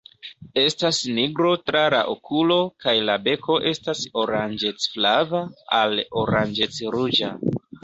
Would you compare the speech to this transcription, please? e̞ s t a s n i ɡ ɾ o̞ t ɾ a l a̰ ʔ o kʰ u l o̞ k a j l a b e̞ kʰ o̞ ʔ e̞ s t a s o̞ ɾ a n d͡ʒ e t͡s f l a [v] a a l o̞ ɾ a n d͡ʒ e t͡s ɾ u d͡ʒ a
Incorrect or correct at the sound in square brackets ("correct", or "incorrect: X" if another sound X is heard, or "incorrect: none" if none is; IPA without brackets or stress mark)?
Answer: correct